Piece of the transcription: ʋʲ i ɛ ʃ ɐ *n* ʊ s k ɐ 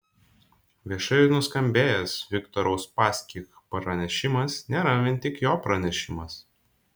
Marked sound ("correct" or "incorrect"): correct